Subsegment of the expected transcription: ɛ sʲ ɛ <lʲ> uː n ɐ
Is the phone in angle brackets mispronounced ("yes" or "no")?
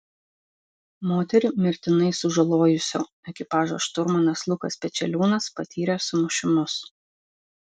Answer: no